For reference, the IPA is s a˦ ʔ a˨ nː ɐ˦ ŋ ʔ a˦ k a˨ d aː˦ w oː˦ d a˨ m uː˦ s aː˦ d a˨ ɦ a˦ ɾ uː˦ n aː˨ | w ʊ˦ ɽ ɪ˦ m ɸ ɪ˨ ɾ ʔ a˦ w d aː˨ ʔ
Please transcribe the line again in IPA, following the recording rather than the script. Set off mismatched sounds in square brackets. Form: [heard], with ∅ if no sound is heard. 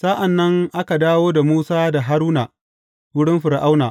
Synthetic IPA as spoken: s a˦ ʔ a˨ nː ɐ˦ ŋ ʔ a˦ k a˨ d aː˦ w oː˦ d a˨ m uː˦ s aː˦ d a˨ ɦ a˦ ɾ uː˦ n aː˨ | w ʊ˦ ɽ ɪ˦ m ɸ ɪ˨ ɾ ʔ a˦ w [n] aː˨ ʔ

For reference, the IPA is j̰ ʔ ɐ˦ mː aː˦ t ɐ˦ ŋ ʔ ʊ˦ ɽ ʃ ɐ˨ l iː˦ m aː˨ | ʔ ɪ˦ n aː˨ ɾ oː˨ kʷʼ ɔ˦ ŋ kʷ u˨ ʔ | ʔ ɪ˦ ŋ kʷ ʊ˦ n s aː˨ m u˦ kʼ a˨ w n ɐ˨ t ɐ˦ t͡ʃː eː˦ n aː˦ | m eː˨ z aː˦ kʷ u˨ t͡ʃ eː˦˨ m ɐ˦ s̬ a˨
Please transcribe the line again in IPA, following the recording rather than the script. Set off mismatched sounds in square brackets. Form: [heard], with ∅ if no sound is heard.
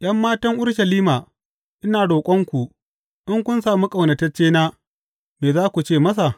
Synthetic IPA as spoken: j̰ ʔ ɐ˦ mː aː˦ t ɐ˦ ŋ ʔ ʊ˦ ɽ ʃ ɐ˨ l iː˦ m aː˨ | ʔ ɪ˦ n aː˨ [ɽ] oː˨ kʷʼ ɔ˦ ŋ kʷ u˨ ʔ | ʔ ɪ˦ ŋ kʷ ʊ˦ n s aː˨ m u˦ kʼ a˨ w n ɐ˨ t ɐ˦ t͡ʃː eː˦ n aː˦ | m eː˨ z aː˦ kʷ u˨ t͡ʃ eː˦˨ m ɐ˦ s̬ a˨

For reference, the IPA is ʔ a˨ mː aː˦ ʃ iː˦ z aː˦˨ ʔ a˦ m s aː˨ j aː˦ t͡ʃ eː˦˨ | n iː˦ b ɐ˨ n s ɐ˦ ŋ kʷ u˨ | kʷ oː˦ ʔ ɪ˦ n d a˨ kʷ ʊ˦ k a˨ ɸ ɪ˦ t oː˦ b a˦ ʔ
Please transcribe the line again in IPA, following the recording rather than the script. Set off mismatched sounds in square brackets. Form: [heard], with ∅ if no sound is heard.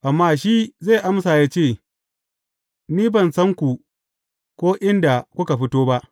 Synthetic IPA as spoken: ʔ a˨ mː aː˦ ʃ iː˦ z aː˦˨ ʔ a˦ m s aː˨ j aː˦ t͡ʃ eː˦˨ | n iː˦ b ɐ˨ n s ɐ˦ ŋ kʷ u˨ | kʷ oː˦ ʔ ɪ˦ n d a˨ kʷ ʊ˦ k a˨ ɸ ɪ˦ t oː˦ b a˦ ʔ

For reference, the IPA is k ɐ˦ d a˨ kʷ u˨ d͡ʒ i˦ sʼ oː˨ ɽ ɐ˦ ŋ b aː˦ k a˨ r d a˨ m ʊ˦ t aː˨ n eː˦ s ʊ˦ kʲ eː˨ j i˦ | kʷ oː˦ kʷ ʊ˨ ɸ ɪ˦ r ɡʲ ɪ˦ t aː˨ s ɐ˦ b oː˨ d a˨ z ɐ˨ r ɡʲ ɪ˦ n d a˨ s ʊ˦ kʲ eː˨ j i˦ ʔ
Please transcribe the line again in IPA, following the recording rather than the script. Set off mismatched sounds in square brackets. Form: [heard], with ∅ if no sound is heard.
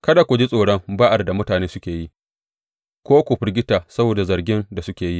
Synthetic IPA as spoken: k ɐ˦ d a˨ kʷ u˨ d͡ʒ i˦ sʼ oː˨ ɽ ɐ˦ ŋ b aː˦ [ʔ] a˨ r d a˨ m ʊ˦ t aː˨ n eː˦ s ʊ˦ kʲ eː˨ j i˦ | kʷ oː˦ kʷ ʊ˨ ɸ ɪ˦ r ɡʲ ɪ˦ t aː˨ s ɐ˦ b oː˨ d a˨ z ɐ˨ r ɡʲ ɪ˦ n d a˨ s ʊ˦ kʲ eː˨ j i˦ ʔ

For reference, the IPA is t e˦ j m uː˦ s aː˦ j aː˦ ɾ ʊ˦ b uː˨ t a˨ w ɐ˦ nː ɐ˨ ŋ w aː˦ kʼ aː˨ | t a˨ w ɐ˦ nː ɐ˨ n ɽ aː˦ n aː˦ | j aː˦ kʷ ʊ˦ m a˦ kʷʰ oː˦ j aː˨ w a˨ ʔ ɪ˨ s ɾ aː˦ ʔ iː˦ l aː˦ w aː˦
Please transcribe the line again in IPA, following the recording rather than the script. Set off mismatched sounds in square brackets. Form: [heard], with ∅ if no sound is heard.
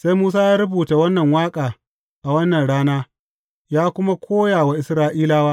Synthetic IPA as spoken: [s] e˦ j m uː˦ s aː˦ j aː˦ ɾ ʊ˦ b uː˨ t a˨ w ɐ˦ nː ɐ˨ ŋ w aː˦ kʼ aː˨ | [ʔ] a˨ w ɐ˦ nː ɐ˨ n ɽ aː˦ n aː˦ | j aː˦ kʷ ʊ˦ m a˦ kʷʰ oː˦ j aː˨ w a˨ ʔ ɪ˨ s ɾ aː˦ ʔ iː˦ l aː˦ w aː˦

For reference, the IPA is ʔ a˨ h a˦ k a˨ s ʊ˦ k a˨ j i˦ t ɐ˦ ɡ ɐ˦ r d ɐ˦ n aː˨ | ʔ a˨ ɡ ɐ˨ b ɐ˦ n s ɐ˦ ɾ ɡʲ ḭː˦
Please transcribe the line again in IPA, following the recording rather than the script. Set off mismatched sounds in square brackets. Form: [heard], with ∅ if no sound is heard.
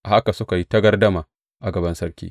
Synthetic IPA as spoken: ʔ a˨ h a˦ k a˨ s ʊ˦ k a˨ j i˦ t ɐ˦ ɡ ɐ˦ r d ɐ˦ [m] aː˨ | ʔ a˨ ɡ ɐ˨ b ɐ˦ n s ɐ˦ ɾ [kʲ] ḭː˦

